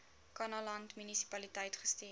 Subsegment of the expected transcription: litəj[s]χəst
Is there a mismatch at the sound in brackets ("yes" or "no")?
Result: yes